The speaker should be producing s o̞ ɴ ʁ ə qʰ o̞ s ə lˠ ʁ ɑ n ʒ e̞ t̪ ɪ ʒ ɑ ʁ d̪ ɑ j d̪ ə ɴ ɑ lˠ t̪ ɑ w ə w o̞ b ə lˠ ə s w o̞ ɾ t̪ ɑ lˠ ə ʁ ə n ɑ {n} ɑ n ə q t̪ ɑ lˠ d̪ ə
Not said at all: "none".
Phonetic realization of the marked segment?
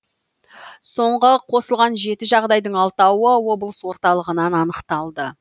n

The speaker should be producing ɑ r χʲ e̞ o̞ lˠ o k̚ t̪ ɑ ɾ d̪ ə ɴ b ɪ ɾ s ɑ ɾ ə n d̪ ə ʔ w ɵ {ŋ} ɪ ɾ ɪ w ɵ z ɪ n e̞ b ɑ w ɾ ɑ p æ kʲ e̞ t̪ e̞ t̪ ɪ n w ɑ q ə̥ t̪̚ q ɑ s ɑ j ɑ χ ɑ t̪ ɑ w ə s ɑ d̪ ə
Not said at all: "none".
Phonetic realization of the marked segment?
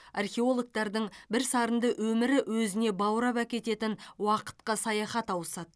m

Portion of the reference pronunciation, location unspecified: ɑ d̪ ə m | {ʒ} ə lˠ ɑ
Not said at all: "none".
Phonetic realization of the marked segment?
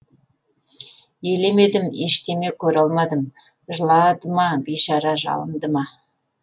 ʒ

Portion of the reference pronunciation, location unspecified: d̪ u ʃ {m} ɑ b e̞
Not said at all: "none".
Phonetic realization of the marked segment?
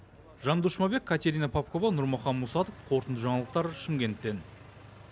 m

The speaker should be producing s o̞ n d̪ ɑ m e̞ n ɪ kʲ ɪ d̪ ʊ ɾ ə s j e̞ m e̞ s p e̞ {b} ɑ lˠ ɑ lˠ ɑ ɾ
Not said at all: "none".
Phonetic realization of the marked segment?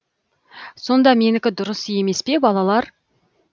b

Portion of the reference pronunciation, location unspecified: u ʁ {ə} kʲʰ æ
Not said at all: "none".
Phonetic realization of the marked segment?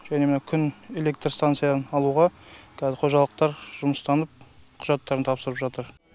ɑ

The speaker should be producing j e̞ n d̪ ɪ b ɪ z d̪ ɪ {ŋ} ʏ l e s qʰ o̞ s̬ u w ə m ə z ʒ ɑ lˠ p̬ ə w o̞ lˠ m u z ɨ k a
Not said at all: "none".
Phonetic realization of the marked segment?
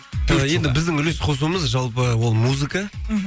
ŋ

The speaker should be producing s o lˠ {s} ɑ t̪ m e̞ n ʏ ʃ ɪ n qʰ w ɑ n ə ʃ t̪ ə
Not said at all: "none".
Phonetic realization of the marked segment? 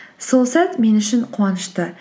s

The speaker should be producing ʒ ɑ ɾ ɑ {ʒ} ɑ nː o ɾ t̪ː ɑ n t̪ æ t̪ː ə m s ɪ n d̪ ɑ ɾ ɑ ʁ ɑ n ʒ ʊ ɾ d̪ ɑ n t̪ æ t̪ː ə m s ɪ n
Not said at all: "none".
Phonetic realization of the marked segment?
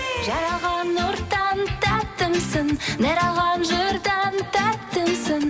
ʁ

